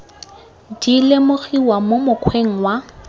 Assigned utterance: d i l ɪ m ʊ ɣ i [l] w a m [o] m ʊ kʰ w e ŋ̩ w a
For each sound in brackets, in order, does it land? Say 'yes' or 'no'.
no, yes

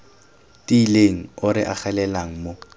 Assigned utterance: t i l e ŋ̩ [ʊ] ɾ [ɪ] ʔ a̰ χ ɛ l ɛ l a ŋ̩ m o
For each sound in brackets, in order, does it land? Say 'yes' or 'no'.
yes, yes

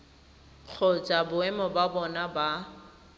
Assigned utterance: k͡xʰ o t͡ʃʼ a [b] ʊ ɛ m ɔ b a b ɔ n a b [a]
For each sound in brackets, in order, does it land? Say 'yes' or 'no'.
yes, yes

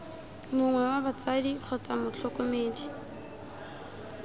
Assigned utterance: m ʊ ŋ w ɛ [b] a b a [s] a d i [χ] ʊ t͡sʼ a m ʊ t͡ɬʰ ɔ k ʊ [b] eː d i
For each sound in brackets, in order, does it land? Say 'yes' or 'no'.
no, no, yes, no

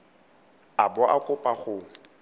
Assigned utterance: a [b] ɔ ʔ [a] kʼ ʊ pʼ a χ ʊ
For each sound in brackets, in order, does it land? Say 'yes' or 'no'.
yes, yes

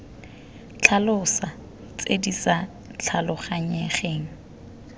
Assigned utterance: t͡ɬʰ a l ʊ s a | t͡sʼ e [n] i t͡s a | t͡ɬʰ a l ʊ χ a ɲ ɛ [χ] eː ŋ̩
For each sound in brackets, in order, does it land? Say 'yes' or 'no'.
no, yes

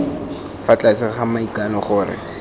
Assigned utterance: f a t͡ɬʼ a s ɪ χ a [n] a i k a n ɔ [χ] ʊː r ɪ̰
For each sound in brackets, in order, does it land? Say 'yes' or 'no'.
no, yes

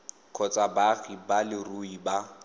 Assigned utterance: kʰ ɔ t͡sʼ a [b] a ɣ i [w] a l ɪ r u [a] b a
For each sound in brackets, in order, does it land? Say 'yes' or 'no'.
yes, no, no

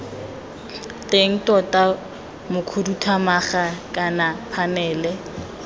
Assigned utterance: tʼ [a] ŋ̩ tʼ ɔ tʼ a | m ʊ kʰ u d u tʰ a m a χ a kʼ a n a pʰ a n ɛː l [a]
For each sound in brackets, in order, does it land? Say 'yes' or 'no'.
no, no

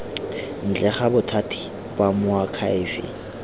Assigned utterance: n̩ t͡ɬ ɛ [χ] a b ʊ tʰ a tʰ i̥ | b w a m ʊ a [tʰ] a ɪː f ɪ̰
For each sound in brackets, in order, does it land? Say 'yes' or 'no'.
yes, no

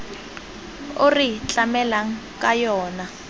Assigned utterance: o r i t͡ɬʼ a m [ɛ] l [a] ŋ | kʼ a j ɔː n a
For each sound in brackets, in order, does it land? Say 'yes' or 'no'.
yes, yes

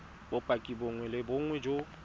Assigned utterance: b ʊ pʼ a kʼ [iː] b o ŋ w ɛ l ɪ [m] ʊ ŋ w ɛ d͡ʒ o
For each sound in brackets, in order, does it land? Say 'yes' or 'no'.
no, no

